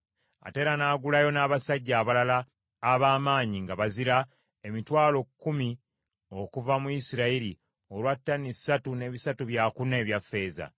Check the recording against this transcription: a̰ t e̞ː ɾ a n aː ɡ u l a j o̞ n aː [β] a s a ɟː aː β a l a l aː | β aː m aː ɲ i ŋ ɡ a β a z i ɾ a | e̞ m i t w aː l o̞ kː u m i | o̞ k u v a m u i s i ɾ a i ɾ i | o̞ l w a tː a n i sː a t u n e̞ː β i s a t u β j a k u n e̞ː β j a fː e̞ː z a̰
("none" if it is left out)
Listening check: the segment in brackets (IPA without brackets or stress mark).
β